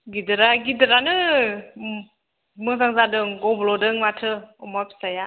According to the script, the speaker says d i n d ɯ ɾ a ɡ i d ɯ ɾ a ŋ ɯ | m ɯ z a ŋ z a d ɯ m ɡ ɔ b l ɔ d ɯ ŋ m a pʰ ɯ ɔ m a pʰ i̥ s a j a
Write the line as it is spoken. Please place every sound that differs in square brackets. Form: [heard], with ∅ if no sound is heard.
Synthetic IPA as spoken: [ɡ] i [∅] d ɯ ɾ a ɡ i d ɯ ɾ a [n] ɯ | m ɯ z a ŋ z a d ɯ [ŋ] ɡ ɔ b l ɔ d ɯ ŋ m a [tʰ] ɯ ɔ m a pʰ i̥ s a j a